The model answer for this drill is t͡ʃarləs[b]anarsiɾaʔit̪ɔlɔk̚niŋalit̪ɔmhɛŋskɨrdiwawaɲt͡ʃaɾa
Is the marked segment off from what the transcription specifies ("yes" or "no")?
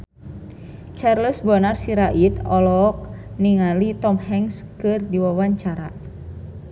no